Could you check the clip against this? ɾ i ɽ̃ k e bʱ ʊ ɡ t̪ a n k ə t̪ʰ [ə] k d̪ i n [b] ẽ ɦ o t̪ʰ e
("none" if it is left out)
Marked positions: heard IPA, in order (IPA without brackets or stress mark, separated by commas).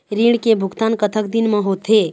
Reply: ə, m